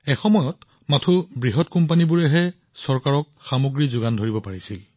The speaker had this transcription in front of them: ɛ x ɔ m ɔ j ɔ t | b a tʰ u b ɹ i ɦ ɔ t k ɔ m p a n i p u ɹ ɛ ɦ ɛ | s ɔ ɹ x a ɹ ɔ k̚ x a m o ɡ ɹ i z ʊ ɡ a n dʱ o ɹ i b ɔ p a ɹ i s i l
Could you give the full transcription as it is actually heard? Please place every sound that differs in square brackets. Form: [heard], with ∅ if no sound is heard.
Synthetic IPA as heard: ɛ x ɔ m ɔ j ɔ t | [m] a tʰ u b ɹ i ɦ ɔ t k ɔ m p a n i [b] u ɹ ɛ ɦ ɛ | s ɔ ɹ [k] a ɹ ɔ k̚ x a m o ɡ ɹ i z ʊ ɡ a n dʱ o ɹ i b ɔ p a ɹ i s i l